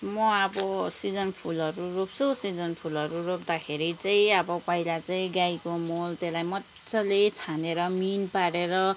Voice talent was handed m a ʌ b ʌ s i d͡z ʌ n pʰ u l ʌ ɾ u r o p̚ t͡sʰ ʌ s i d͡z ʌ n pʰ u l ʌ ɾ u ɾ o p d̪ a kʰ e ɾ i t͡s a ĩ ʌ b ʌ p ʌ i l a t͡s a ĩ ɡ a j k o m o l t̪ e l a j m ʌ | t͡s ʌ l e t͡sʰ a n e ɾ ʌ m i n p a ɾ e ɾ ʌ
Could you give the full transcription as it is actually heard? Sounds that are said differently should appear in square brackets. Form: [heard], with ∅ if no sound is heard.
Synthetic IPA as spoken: m [ʌ] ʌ b ʌ s i d͡z ʌ n pʰ u l ʌ ɾ u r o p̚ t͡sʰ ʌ s i d͡z ʌ n pʰ u l ʌ ɾ u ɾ o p d̪ a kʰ e ɾ i t͡s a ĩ ʌ b ʌ p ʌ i l a t͡s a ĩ ɡ a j k o m o l t̪ e l a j m ʌ | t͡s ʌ l e t͡sʰ a n e ɾ ʌ m i n p a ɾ e ɾ ʌ